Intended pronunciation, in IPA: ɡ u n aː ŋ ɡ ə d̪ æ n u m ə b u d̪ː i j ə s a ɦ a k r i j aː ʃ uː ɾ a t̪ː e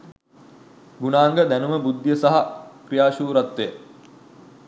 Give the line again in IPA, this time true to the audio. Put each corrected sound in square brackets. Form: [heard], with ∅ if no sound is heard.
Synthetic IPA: ɡ u n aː ŋ ɡ ə d̪ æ n u m ə b u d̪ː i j ə s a ɦ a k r i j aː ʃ uː ɾ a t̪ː e